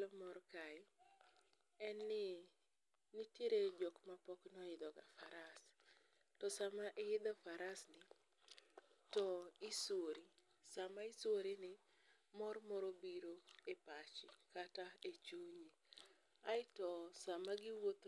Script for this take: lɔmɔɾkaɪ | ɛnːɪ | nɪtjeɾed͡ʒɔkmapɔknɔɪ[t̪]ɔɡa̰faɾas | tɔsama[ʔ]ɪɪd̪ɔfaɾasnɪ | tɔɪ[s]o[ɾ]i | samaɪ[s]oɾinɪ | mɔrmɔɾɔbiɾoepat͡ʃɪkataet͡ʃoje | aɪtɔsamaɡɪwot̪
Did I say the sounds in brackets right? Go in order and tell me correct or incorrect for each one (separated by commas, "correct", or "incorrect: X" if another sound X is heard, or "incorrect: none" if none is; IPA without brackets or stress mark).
incorrect: d̪, correct, correct, correct, correct